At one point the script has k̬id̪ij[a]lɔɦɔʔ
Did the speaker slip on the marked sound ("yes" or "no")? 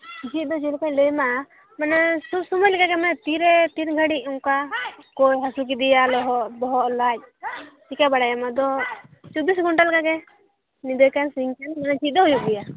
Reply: no